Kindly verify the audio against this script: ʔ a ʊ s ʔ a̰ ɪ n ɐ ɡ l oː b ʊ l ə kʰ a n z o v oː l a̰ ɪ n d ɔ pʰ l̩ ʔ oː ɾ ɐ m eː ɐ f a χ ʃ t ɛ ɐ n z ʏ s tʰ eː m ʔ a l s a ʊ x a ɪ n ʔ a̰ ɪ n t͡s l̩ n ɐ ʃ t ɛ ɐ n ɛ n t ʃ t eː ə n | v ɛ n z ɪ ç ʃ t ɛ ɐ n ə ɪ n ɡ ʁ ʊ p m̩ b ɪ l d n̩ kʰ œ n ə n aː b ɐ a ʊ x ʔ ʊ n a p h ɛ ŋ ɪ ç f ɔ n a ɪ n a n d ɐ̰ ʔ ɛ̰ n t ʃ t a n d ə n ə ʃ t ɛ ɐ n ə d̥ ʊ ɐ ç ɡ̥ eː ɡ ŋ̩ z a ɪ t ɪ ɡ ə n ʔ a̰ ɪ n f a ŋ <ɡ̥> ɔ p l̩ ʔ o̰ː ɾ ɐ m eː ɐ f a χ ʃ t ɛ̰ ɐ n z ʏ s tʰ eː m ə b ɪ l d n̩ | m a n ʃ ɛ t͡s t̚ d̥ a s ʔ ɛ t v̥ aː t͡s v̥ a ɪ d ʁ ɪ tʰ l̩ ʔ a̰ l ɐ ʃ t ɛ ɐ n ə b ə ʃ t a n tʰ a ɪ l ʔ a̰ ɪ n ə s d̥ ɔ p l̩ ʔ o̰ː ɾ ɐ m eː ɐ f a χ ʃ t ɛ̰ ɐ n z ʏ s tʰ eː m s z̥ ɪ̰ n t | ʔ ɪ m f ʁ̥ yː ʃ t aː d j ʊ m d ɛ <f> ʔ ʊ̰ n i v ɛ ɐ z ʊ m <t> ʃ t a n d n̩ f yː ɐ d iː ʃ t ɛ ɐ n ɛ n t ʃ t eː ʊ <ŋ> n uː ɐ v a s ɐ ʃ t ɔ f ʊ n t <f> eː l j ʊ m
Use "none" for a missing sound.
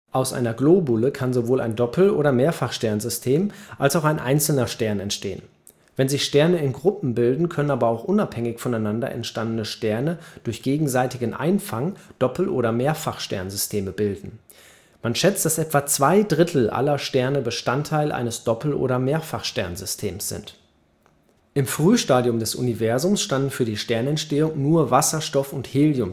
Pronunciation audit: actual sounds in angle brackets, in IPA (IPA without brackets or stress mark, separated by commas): d̥, s, s, ŋ, h